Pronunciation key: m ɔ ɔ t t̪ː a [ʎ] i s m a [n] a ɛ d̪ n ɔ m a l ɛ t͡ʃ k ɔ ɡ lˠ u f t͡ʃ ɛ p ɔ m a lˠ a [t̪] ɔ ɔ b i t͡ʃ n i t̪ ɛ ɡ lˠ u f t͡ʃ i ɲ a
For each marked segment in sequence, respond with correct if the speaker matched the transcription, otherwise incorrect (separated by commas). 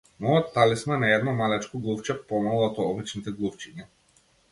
incorrect, correct, correct